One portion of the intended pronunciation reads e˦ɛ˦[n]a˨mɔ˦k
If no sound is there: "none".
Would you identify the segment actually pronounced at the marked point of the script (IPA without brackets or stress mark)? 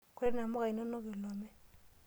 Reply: n